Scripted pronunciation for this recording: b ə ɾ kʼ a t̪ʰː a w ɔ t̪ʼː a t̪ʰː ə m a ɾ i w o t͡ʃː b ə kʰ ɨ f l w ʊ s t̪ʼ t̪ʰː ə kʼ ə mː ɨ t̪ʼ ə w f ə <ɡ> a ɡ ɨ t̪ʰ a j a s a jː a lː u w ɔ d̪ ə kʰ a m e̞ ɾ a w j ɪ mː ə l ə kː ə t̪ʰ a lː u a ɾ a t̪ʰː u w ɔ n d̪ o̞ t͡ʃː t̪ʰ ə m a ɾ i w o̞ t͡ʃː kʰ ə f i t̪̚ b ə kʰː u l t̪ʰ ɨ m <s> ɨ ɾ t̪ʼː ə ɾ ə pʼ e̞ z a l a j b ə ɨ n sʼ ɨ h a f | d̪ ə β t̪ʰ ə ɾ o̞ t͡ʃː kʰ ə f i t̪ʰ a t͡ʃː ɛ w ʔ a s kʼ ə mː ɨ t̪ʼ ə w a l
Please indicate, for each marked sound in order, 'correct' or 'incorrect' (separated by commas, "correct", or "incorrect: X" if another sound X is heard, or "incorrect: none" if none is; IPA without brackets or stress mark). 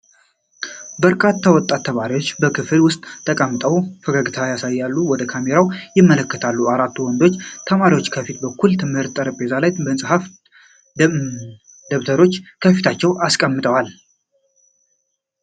correct, incorrect: h